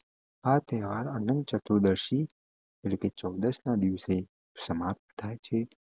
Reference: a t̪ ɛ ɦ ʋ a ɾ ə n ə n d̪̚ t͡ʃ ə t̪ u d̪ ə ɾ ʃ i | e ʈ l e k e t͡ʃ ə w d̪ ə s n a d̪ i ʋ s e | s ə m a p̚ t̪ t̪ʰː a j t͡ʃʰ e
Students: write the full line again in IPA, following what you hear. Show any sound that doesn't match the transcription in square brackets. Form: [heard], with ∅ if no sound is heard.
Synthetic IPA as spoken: a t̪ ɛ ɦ ʋ a ɾ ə n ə n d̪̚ t͡ʃ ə t̪ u d̪ ə ɾ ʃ i | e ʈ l e k e t͡ʃ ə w d̪ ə s n a d̪ i ʋ s e | s ə m a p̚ t̪ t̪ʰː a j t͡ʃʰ e